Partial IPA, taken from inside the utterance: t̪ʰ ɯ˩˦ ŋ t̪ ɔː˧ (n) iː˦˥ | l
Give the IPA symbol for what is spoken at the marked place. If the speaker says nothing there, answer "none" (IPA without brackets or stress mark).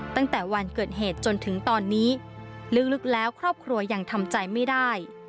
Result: nː